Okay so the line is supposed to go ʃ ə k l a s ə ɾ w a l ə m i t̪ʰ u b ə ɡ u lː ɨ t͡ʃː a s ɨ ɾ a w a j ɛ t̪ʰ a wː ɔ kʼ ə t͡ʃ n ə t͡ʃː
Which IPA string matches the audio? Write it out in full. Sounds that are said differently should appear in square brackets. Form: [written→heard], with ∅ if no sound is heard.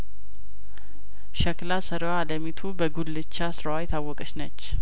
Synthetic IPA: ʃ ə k l a s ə ɾ w a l ə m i t̪ʰ u b ə ɡ u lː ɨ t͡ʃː a s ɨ ɾ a w a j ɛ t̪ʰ a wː ɔ kʼ ə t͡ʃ n ə t͡ʃː